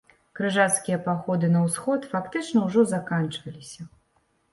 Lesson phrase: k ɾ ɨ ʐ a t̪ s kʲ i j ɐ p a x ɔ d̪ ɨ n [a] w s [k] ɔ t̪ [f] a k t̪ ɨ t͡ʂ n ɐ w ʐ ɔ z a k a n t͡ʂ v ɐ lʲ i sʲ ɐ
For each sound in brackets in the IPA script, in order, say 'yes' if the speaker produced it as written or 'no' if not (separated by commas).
no, no, yes